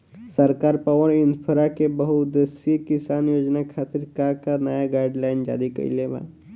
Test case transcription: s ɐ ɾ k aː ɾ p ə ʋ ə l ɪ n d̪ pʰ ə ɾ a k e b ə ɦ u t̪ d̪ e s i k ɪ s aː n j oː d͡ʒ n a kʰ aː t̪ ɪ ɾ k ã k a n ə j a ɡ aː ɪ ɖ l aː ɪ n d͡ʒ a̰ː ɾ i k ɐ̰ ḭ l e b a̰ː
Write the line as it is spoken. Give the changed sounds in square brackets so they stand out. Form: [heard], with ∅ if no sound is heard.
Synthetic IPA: s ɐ ɾ k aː ɾ p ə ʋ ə [ɾ] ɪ n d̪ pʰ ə ɾ a k e b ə ɦ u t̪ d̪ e s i k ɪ s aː n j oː d͡ʒ n a kʰ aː t̪ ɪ ɾ k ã k a n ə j a ɡ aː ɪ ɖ l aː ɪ n d͡ʒ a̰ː ɾ i k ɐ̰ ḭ l e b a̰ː